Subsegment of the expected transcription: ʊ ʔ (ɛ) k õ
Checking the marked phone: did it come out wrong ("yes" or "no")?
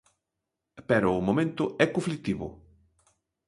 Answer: no